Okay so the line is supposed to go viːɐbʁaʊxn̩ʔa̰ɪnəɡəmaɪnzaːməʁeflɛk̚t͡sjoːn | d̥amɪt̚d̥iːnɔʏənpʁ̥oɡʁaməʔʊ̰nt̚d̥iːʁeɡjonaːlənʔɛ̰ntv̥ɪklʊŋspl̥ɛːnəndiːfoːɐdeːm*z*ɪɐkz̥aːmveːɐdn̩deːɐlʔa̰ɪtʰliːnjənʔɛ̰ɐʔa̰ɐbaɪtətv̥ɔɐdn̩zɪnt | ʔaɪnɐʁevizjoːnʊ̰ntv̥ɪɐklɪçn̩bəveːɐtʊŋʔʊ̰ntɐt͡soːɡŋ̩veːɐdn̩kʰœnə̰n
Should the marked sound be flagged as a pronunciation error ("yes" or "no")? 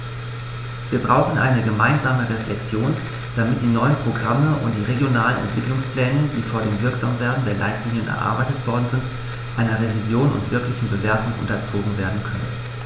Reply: yes